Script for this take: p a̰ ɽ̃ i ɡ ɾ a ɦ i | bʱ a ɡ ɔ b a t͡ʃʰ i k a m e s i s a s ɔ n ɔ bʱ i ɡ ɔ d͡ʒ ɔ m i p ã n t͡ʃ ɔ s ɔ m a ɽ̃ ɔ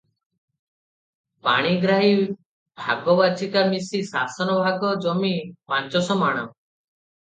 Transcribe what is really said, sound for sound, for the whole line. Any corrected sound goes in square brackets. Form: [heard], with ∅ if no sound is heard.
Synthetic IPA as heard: p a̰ ɽ̃ i ɡ ɾ a ɦ i | bʱ a ɡ ɔ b a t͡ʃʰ i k a m [i] s i s a s ɔ n ɔ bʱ [a] ɡ ɔ d͡ʒ ɔ m i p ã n t͡ʃ ɔ s ɔ m a ɽ̃ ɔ